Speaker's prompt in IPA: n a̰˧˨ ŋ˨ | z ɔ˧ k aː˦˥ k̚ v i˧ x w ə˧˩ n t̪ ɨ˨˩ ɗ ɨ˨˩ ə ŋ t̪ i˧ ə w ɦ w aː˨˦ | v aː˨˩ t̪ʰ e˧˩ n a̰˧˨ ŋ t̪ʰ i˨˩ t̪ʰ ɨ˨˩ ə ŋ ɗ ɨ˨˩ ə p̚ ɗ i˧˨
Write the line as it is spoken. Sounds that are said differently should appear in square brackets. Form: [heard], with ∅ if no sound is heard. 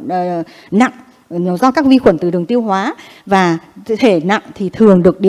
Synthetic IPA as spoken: n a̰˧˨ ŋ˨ | z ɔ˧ k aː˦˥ k̚ v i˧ x w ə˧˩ n t̪ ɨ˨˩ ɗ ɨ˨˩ ə ŋ t̪ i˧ ə w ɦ w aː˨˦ | v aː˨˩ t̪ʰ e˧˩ n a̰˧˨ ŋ t̪ʰ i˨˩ t̪ʰ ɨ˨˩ ə ŋ ɗ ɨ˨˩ ə [k̚] ɗ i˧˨